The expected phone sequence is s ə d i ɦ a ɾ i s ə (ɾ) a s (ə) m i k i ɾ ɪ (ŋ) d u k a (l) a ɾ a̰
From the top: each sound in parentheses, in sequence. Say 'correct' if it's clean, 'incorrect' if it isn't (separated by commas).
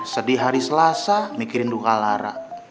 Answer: incorrect, incorrect, incorrect, correct